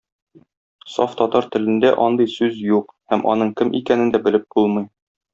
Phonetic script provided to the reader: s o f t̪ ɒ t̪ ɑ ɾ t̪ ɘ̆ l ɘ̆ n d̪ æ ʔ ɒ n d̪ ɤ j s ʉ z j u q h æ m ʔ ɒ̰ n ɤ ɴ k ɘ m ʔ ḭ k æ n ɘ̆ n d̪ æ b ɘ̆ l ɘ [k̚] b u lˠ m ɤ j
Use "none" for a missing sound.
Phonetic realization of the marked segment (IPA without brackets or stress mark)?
p̚